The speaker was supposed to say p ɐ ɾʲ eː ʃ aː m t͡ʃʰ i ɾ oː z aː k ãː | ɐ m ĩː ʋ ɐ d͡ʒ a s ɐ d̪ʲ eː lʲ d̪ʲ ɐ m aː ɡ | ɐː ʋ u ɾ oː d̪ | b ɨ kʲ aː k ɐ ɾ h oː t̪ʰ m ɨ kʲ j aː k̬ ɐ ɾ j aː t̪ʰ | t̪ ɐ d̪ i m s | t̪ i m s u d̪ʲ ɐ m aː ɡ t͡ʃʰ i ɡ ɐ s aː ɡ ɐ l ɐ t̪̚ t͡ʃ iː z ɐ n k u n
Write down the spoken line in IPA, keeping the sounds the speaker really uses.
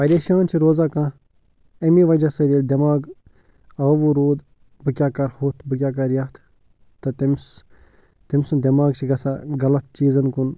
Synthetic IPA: p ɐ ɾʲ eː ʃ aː n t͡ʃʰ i ɾ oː z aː k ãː | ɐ m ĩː ʋ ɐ d͡ʒ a s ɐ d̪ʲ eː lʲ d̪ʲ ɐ m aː ɡ | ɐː ʋ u ɾ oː d̪ | b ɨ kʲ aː k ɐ ɾ h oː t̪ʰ b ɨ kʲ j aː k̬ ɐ ɾ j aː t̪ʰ | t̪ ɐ t̪ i m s | t̪ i m s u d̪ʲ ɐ m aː ɡ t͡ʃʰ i ɡ ɐ s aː ɡ ɐ l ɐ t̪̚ t͡ʃ iː z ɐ n k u n